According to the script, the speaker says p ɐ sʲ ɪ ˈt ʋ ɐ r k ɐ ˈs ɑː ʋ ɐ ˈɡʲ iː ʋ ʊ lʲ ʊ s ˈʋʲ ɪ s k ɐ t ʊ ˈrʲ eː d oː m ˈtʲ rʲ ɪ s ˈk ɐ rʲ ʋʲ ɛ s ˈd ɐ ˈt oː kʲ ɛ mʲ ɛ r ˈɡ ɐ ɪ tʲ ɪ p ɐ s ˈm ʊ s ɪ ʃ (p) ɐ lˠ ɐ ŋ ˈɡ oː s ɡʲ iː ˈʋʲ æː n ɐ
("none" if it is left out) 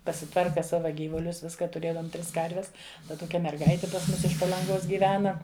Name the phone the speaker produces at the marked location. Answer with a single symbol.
p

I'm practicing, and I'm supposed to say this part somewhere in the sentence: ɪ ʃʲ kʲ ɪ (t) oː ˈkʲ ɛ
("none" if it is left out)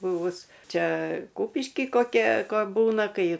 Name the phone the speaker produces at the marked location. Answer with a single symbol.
k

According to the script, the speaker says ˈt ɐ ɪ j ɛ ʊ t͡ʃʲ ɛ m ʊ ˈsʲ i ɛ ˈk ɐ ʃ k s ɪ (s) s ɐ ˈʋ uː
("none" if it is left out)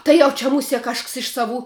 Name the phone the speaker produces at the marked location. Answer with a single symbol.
ʃ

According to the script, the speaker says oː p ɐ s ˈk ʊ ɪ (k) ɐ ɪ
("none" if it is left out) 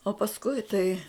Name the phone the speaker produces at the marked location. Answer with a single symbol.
t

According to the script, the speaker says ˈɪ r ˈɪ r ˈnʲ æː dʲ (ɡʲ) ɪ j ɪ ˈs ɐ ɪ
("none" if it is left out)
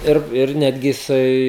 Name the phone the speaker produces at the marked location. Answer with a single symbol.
ɡʲ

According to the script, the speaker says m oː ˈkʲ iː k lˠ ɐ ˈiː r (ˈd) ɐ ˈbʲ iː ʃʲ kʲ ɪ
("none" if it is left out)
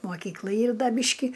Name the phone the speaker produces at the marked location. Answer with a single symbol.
d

